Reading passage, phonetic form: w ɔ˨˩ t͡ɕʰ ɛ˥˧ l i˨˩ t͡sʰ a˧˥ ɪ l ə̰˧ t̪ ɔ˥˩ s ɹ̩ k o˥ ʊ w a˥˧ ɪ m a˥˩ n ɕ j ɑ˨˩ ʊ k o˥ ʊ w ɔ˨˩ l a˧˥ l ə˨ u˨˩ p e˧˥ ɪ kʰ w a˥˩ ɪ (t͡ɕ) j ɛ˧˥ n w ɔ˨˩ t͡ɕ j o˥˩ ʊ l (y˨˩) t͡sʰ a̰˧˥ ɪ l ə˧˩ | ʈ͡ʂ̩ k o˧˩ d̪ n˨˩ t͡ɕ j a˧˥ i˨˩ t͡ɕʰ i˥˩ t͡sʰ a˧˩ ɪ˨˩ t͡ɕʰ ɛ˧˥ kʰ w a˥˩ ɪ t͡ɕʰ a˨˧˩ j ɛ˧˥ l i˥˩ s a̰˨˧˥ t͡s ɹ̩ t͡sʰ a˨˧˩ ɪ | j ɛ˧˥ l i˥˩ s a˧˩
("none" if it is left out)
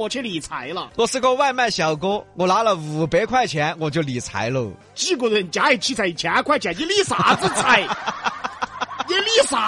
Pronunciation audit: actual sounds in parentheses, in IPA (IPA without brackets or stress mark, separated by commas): t͡ɕʰ, i˨˩